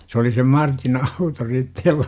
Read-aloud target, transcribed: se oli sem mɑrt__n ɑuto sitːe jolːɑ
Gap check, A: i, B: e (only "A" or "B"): A